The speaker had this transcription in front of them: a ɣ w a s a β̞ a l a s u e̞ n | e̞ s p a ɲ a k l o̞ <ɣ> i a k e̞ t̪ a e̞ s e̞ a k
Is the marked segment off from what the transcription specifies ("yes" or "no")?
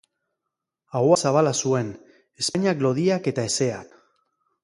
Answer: yes